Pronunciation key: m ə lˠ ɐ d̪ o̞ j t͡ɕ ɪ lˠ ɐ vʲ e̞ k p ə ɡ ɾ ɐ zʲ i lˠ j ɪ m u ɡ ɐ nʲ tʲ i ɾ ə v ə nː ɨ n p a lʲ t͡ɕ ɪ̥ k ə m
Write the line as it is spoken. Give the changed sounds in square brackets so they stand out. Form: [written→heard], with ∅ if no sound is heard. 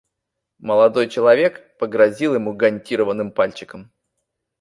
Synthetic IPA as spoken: m ə lˠ ɐ d̪ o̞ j t͡ɕ ɪ lˠ ɐ vʲ e̞ k p ə ɡ ɾ ɐ zʲ i lˠ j ɪ m u ɡ ɐ nʲ tʲ i ɾ ə v ə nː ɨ [n→m] p a lʲ t͡ɕ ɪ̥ k ə m